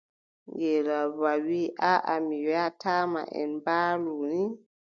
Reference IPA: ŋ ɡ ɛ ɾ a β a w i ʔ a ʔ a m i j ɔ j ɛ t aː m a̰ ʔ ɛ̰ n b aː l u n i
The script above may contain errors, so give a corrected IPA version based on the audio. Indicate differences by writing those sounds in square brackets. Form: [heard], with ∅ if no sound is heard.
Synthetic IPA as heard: ŋ ɡ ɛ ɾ a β a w i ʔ a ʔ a m i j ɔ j [a] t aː m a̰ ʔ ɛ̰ n b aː l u n i